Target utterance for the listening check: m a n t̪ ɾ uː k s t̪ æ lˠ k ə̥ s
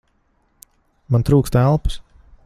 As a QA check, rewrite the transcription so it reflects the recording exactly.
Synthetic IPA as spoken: m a n t̪ ɾ uː k s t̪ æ lˠ p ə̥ s